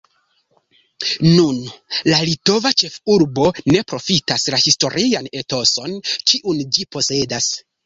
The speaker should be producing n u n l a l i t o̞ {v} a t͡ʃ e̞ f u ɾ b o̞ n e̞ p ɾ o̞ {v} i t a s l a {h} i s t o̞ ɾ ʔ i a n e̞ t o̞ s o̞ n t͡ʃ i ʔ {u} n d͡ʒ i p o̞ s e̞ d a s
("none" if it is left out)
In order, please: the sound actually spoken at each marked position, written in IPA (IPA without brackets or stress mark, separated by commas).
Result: v, f, h, u